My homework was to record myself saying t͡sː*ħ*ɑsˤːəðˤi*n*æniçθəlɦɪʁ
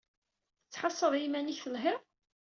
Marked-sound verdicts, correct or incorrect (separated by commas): correct, incorrect